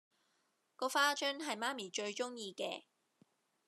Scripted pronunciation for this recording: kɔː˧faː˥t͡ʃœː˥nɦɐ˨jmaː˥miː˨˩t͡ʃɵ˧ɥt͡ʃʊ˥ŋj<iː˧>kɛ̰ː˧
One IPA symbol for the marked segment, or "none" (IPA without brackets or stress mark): iː˧